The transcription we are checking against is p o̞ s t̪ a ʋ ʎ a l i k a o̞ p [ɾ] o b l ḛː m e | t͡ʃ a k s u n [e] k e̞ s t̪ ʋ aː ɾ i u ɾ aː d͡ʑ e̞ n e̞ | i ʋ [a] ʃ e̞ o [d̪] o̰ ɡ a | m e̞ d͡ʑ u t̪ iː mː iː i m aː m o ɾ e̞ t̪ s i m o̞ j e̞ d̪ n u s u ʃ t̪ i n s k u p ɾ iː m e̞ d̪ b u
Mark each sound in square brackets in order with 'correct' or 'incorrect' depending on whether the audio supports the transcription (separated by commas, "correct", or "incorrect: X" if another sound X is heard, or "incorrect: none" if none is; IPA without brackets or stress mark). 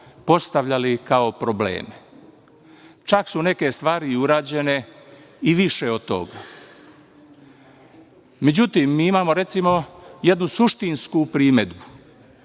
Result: correct, correct, incorrect: i, incorrect: t̪